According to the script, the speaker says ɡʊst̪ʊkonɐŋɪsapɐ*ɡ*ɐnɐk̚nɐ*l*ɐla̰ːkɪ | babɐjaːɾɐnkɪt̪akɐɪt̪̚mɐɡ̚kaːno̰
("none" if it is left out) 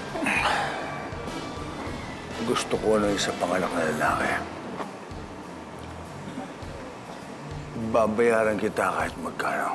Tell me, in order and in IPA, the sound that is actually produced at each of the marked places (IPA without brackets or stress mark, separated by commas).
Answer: ŋ, l